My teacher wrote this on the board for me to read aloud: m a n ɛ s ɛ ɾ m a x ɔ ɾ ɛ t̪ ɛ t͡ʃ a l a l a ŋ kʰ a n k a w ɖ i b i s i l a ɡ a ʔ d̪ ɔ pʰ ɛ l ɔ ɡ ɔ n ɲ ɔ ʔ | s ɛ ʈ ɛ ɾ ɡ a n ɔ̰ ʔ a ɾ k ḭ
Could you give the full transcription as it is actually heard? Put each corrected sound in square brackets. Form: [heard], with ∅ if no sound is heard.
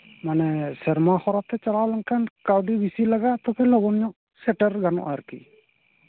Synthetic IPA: m a n ɛ s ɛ ɾ m a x ɔ ɾ [a] t̪ ɛ t͡ʃ a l a l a ŋ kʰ a n k a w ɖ i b i s i l a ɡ a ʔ [t̪] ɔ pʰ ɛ l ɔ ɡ ɔ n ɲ ɔ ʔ | s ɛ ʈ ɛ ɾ ɡ a n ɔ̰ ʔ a ɾ k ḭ